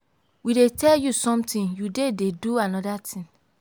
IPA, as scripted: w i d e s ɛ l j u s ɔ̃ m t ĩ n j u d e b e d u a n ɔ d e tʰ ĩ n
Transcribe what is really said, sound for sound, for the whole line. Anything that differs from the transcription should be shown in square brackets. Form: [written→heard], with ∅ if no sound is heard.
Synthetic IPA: w i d e [s→t] ɛ l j u s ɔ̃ m t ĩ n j u d e [b→d] e d u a n ɔ d [e→a] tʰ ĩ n